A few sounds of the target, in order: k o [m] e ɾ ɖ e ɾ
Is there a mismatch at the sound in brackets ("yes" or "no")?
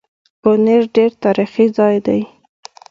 yes